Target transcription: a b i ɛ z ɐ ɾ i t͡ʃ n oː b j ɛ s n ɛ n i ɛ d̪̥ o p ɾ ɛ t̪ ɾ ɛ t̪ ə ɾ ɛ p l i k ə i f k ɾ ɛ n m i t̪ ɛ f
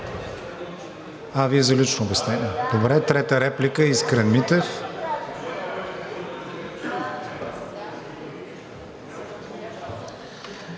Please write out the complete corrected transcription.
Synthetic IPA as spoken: a v i ɛ z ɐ l i t͡ʃ n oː b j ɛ s n ɛ n i ɛ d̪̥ o b ɾ ɛ t̪ ɾ ɛ t̪ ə ɾ ɛ p l i k ə i s k ɾ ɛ n m i t̪ ɛ f